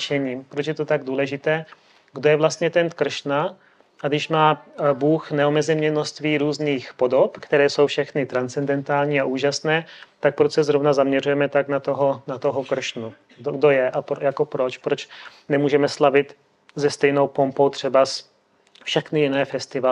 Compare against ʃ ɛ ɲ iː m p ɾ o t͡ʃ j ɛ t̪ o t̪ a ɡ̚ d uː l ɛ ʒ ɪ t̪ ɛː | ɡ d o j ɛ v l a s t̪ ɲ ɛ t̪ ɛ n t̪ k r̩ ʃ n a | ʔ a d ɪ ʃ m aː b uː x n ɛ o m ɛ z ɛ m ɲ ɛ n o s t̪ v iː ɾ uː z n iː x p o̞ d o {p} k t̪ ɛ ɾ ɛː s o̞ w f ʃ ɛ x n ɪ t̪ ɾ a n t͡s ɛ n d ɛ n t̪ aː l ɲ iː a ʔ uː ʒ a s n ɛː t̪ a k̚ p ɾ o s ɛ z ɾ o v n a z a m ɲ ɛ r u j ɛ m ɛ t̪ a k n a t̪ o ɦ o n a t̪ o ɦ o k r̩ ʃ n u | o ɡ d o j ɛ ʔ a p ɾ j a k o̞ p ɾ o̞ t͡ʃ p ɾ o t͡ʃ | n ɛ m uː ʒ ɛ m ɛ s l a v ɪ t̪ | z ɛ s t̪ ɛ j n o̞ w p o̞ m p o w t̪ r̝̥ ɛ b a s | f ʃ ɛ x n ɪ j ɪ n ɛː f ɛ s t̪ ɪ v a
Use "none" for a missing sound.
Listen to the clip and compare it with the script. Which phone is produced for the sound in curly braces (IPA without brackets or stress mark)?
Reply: p